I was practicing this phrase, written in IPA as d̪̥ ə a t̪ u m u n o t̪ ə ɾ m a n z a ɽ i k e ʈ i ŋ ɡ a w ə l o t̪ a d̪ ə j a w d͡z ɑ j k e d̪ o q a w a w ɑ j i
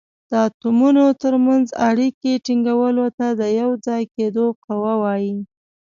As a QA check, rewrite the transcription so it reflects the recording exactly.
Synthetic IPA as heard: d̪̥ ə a t̪ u m u n o t̪ ə ɾ m a n z a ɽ i k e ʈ i ŋ ɡ a w ə l o t̪ a d̪ ə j a w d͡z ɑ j k e d̪ o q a w a w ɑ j i